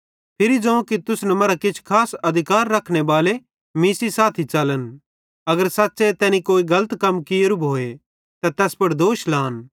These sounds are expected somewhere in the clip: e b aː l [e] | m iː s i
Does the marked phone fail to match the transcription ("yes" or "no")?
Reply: no